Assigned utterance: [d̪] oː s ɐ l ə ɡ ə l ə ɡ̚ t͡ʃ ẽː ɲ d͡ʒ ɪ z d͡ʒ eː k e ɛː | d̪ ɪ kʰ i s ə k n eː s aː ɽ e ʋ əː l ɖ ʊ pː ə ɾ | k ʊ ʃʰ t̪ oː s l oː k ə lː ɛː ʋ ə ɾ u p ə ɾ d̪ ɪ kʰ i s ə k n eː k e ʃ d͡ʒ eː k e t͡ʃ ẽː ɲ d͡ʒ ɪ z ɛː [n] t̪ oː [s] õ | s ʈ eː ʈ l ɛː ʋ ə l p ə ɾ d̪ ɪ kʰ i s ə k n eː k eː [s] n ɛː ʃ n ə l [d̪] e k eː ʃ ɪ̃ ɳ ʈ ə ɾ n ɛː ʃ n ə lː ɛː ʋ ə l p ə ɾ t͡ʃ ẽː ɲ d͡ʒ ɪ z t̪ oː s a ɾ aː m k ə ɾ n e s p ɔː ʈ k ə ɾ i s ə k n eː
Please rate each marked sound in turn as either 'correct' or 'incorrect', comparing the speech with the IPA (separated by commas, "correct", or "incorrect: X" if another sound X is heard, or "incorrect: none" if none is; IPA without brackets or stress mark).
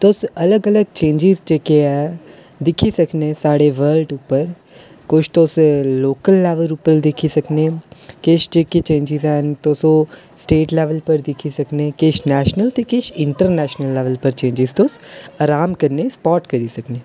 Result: incorrect: t̪, correct, correct, incorrect: ʃ, incorrect: t̪